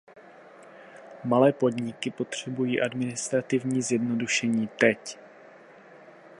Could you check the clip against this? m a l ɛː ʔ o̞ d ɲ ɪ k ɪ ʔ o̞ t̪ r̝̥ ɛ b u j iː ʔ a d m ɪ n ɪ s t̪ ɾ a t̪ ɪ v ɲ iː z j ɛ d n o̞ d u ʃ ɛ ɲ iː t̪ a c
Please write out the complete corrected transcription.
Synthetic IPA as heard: m a l ɛː p o̞ d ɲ ɪ k ɪ p o̞ t̪ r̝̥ ɛ b u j iː ʔ a d m ɪ n ɪ s t̪ ɾ a t̪ ɪ v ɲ iː z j ɛ d n o̞ d u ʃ ɛ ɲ iː t̪ ɛ c